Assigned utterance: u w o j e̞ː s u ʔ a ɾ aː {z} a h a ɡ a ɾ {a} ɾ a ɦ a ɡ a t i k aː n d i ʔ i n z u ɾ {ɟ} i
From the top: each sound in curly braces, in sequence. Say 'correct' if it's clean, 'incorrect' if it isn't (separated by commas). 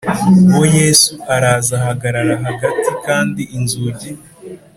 correct, correct, correct